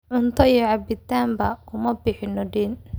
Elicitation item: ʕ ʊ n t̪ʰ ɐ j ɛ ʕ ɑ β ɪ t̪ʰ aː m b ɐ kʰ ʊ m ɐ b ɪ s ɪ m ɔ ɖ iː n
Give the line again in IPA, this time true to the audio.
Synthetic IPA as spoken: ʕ ʊ n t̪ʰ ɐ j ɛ ʕ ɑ b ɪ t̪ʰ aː m b ɐ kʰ ʊ m ɐ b ɪ ħ ɪ n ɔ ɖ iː n